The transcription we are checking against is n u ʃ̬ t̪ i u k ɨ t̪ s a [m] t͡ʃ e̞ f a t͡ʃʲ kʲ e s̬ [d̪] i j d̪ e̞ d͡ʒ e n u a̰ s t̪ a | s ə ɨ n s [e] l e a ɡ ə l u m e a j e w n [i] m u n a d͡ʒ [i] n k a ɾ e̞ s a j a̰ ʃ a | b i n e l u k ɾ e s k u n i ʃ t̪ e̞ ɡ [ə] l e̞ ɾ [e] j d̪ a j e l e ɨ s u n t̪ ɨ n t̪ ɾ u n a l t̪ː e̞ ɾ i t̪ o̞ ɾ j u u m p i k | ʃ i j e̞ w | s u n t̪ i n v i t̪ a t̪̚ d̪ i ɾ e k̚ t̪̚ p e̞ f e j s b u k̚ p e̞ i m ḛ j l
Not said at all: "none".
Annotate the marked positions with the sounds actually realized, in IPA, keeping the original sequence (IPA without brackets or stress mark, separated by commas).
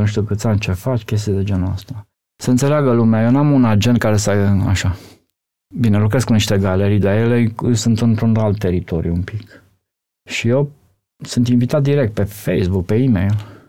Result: n, t̪, e, a, e, a, i